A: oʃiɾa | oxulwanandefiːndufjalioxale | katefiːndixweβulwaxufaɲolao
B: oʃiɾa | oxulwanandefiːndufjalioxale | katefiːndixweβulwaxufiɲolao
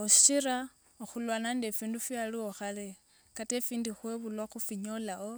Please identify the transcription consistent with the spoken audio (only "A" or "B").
B